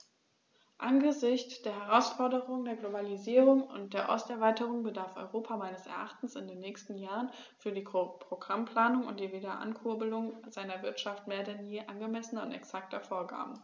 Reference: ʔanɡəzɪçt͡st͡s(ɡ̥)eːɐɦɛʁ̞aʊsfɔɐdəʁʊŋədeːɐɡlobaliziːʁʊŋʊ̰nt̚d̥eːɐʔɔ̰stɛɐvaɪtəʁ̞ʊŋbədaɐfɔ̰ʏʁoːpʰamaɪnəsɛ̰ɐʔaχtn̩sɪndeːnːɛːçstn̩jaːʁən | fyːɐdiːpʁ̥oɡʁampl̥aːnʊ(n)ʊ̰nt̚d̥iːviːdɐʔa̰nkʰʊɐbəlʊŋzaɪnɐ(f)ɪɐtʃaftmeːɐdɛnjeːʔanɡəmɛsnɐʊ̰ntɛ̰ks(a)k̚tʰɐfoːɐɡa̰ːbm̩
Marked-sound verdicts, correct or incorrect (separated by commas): incorrect, incorrect, incorrect, correct